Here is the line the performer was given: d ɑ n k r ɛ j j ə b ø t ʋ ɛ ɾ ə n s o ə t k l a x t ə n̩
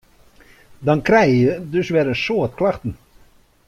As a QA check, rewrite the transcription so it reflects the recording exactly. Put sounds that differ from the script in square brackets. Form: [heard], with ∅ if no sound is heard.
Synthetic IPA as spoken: d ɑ n k r ɛ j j ə [d] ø [s] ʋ ɛ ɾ ə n s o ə t k l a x t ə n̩